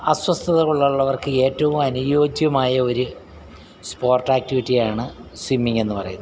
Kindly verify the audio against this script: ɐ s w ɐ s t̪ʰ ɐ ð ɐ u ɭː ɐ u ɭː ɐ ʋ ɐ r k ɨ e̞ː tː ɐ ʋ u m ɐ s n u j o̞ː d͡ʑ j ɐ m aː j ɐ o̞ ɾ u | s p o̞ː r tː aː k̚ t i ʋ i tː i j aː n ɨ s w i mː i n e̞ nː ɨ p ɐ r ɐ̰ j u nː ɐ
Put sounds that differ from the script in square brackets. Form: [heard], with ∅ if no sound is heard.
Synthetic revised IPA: ɐ s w ɐ s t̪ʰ ɐ ð ɐ u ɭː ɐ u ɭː ɐ ʋ ɐ r k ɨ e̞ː tː ɐ ʋ u m ɐ [∅] n u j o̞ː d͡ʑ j ɐ m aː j ɐ o̞ ɾ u | s p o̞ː r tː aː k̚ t i ʋ i tː i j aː [ɳ] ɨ s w i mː i [ŋ] e̞ nː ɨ p ɐ r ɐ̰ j u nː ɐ